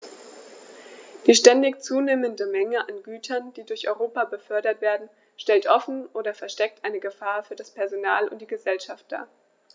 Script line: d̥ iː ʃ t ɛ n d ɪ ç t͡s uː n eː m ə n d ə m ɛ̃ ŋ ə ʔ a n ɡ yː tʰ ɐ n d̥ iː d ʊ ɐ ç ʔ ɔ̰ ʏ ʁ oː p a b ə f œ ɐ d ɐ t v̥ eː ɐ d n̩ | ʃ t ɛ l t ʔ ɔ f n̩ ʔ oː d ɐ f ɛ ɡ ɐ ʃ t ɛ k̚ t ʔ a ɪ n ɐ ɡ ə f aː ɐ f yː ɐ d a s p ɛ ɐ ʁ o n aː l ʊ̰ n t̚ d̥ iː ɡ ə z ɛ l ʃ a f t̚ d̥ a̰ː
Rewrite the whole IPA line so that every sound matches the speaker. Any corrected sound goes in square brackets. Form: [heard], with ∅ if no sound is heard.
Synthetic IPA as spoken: d̥ iː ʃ t ɛ n d ɪ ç t͡s uː n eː m ə n d ə m [ɛ] ŋ ə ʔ a n ɡ yː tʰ ɐ n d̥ iː d ʊ ɐ ç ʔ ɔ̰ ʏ ʁ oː p a b ə f œ ɐ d ɐ t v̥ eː ɐ d n̩ | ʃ t ɛ l t ʔ ɔ f n̩ ʔ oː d ɐ f ɛ [∅] ɐ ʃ t ɛ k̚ t ʔ a ɪ n [ə] ɡ ə f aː ɐ f yː ɐ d a s p ɛ ɐ [z] o n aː l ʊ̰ n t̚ d̥ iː ɡ ə z ɛ l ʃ a f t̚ d̥ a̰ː